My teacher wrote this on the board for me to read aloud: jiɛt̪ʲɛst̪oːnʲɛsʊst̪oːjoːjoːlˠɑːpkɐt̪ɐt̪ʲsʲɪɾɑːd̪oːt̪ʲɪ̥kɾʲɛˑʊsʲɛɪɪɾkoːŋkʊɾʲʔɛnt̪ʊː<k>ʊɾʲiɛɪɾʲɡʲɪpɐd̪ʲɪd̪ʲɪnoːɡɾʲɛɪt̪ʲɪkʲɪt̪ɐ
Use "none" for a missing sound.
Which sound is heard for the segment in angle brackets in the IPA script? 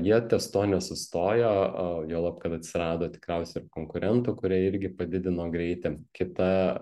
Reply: k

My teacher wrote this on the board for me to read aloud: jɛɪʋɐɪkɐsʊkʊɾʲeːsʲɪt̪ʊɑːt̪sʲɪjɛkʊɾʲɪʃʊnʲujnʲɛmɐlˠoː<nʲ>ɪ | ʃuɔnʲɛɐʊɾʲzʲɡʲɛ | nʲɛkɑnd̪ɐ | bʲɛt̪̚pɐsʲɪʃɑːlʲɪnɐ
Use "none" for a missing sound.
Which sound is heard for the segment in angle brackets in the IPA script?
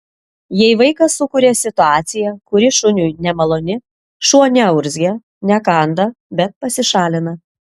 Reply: nʲ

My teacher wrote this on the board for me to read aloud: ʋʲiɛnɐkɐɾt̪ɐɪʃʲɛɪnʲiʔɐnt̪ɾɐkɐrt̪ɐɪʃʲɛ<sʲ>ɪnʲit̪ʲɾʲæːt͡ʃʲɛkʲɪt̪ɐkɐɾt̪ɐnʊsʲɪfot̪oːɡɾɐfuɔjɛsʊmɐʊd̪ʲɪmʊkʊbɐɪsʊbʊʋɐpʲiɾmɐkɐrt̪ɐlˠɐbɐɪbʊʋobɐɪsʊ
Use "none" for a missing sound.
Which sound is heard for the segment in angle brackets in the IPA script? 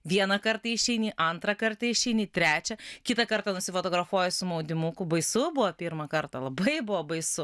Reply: none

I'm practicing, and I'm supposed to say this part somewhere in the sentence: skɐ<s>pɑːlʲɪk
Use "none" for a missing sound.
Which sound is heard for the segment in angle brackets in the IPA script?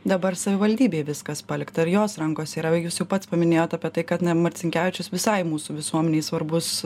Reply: s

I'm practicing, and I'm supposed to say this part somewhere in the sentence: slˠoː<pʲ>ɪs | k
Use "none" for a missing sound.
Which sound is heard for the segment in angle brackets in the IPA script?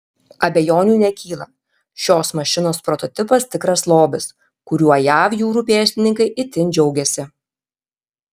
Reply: bʲ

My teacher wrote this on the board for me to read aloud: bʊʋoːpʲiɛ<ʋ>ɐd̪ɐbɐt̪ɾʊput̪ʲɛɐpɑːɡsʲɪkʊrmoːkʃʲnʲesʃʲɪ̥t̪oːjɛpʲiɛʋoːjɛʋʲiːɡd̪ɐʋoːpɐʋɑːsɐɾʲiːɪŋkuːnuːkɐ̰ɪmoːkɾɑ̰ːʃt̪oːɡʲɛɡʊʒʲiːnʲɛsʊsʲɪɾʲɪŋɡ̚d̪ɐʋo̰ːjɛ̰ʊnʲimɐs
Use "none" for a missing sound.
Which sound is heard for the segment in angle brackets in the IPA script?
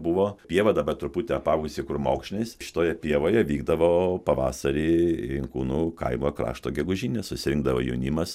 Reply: ʋ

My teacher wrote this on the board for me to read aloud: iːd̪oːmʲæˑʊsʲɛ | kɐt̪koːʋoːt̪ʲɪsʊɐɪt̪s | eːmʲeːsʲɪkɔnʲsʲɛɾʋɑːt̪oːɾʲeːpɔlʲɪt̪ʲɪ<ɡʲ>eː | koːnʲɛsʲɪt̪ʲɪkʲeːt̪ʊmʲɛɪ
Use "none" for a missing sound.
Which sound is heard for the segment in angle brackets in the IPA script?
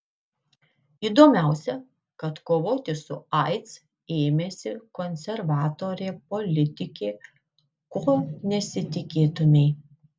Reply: kʲ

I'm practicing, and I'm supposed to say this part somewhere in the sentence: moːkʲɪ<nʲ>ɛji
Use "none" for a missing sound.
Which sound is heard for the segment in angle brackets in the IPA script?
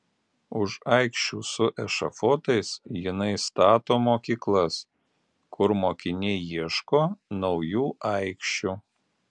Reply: nʲ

